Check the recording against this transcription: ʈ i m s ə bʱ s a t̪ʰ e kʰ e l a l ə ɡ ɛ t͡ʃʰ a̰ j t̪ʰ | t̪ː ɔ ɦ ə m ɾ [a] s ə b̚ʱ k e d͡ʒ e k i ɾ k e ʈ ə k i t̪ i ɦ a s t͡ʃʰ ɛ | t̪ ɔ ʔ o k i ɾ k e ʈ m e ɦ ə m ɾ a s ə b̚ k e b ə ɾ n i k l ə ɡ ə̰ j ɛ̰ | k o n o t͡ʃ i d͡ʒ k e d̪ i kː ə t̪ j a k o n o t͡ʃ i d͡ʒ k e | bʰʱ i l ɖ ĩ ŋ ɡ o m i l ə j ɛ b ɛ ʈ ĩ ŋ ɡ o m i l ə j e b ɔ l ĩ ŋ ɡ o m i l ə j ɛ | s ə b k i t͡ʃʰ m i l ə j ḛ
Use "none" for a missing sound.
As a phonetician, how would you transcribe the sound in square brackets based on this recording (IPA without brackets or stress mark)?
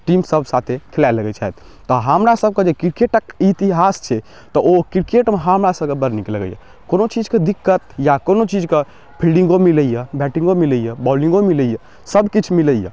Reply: a